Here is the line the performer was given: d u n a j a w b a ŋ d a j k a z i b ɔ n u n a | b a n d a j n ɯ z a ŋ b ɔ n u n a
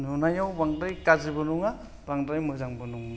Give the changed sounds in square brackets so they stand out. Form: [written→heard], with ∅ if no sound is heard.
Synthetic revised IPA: [d→n] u n a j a w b a ŋ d a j k a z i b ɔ n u [n→ŋ] a | b a [n→ŋ] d a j [n→m] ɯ z a ŋ b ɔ n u [n→ŋ] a